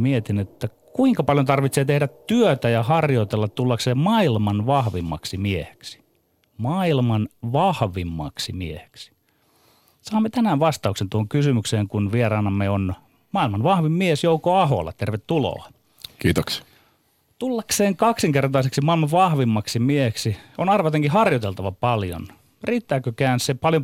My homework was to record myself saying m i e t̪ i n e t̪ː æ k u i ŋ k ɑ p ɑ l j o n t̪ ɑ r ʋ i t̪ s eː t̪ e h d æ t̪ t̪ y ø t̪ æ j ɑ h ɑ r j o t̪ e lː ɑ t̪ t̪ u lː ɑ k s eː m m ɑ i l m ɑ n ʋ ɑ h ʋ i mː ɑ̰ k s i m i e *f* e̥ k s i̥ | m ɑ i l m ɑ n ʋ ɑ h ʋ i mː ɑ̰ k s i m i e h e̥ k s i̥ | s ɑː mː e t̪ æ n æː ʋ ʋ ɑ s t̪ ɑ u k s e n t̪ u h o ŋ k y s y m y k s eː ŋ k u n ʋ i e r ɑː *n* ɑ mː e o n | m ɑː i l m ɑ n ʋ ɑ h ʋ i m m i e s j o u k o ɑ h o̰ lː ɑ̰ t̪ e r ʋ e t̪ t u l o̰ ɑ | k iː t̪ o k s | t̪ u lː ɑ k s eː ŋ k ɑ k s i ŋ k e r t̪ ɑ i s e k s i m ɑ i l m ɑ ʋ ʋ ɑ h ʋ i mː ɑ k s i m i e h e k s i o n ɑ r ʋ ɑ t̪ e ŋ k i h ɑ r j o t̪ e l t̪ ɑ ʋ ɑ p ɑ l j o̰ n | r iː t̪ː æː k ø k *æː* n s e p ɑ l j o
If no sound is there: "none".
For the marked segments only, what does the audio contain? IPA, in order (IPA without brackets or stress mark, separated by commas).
h, n, æː